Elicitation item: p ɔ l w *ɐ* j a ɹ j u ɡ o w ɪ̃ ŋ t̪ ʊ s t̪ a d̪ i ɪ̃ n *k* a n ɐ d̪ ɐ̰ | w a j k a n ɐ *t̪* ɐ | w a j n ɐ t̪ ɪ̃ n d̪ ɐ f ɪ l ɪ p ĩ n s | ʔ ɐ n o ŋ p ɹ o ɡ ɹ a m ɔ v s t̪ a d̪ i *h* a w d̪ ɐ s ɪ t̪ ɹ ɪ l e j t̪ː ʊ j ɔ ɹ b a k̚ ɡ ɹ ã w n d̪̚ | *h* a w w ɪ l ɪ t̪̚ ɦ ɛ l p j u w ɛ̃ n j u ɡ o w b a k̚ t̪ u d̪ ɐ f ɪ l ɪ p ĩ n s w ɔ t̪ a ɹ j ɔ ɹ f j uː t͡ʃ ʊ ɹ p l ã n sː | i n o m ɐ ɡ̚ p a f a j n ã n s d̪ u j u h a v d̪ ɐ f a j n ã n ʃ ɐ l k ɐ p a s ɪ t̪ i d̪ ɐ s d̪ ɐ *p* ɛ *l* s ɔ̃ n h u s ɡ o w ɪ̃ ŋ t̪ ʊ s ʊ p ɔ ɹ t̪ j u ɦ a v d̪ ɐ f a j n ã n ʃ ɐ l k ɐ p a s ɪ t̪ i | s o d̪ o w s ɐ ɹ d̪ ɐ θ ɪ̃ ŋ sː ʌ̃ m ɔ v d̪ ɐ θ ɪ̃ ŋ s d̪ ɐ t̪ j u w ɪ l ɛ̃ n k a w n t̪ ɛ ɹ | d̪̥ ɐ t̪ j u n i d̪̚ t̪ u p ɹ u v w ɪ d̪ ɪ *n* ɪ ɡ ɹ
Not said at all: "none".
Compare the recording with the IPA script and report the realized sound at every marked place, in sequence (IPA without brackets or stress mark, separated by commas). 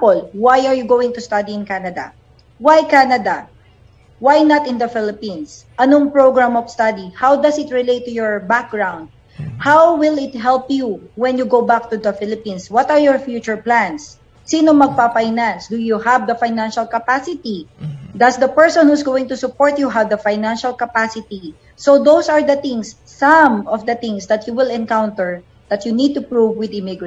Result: a, k, d̪, h, h, p, ɹ, m